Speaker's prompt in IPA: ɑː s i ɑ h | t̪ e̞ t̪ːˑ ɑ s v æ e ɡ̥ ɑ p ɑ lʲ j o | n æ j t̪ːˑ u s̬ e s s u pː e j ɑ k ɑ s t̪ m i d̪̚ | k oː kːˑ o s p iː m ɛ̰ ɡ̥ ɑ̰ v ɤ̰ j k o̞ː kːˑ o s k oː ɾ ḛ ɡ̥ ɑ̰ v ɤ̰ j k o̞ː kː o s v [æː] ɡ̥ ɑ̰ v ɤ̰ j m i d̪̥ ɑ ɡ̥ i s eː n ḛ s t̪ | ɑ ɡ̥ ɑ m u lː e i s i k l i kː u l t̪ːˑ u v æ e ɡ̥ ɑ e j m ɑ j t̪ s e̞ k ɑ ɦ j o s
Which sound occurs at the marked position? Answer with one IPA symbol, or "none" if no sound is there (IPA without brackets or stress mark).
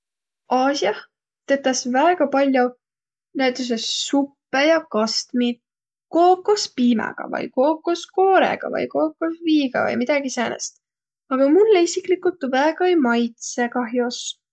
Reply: iː